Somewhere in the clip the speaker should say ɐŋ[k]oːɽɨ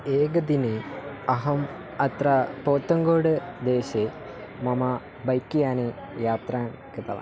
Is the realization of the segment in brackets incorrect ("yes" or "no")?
yes